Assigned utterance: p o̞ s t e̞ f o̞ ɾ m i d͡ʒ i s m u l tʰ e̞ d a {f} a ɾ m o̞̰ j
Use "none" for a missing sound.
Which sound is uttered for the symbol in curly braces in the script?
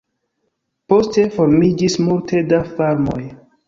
f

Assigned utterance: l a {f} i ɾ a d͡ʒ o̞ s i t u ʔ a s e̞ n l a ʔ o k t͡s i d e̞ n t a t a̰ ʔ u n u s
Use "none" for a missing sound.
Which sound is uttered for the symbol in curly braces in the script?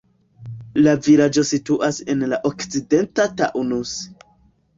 v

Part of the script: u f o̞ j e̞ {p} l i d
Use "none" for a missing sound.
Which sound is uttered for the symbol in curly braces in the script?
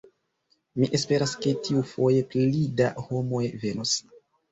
p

